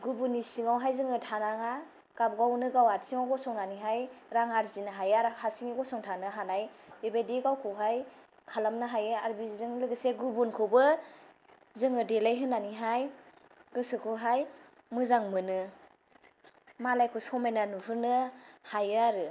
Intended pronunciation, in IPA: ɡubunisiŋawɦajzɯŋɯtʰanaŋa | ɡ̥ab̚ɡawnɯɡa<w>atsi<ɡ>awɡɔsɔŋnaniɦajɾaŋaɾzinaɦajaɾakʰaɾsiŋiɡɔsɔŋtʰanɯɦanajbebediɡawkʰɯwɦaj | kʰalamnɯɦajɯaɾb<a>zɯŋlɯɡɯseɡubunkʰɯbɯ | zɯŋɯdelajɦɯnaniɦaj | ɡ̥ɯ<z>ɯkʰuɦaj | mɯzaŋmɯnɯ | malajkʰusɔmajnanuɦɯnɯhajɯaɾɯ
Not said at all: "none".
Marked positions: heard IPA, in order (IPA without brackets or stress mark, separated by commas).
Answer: w, ŋ, i, s